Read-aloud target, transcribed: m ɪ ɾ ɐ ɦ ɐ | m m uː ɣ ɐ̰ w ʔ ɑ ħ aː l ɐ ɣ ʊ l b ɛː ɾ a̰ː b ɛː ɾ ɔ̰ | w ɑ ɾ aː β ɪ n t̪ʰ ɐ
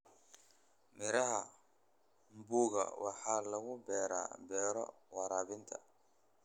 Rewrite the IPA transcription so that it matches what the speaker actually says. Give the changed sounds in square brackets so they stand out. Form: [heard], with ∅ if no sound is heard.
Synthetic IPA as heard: m ɪ ɾ ɐ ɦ ɐ | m [b] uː ɣ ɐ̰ w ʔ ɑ ħ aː l ɐ ɣ ʊ [∅] b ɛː ɾ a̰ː b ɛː ɾ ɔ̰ | w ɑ ɾ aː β ɪ n t̪ʰ ɐ